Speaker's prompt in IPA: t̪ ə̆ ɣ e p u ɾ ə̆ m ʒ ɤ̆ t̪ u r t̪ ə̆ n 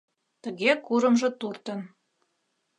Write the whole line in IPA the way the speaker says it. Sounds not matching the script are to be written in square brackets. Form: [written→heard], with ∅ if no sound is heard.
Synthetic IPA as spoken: t̪ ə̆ ɣ e [p→k] u ɾ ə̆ m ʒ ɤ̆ t̪ u r t̪ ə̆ n